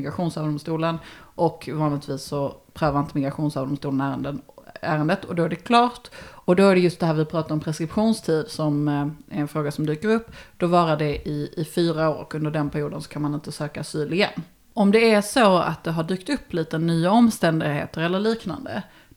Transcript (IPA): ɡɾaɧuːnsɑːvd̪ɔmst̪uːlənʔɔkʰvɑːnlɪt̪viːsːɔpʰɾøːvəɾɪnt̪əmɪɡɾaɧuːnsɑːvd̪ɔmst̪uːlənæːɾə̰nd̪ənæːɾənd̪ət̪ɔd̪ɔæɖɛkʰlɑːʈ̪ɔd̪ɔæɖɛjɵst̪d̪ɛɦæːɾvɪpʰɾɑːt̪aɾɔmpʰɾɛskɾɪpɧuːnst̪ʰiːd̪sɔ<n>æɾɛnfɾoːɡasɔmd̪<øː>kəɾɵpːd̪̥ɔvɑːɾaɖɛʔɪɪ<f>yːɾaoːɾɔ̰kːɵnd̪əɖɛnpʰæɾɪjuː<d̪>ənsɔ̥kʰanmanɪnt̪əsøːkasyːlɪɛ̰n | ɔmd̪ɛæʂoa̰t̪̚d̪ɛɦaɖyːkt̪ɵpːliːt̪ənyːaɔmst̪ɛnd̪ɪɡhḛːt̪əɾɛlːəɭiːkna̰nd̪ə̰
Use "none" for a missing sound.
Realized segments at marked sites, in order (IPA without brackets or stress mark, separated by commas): m, yː, f, d̪